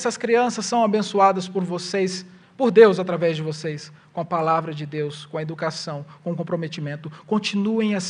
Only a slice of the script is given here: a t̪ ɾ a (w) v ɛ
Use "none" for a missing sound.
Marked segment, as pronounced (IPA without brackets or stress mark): none